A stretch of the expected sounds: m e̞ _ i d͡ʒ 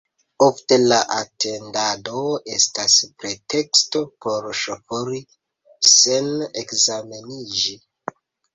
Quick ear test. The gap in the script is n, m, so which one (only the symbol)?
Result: n